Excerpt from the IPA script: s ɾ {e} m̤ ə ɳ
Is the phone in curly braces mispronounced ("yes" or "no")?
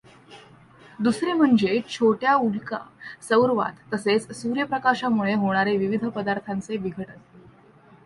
no